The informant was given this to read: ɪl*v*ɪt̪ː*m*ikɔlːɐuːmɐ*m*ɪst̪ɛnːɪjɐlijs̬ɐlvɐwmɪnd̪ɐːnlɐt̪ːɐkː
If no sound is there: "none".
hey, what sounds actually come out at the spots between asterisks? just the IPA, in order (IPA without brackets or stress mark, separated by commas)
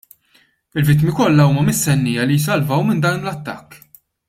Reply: v, m, m